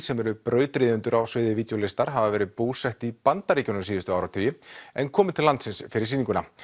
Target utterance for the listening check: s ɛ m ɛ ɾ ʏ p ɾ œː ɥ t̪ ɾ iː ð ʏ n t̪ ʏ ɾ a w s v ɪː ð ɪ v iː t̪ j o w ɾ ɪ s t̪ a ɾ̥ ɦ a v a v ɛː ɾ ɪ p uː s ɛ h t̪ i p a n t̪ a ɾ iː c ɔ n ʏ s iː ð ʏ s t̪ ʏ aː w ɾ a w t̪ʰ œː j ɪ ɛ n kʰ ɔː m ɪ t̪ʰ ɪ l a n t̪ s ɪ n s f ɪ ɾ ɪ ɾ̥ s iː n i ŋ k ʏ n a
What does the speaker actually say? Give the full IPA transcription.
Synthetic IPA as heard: s ɛ m ɛ ɾ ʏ p ɾ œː ɥ t̪ ɾ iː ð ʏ n t̪ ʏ ɾ a w s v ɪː ð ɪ v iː t̪ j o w l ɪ s t̪ a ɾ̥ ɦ a v a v ɛː ɾ ɪ p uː s ɛ h t̪ i p a n t̪ a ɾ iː c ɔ n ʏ s iː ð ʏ s t̪ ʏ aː w ɾ a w t̪ʰ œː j ɪ ɛ n kʰ ɔː m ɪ t̪ʰ ɪ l a n t̪ s ɪ n s f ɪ ɾ ɪ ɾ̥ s iː n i ŋ k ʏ n a